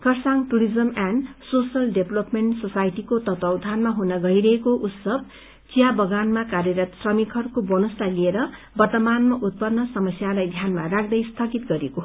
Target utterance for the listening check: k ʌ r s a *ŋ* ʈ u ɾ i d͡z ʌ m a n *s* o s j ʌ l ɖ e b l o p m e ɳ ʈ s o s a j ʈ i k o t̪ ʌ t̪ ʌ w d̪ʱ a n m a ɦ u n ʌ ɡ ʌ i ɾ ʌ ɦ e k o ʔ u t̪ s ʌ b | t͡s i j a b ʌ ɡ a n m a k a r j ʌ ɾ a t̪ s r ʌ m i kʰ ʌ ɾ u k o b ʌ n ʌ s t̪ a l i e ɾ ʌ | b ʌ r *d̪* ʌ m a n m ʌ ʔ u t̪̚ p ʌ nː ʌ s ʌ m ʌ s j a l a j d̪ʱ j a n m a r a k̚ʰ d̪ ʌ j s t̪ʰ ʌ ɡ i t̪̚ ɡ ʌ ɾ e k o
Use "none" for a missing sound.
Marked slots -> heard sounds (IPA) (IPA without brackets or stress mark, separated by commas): ŋ, s, t̪